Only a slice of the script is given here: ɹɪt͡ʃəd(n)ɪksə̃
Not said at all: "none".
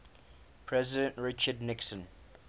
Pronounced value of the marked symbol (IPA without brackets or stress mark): n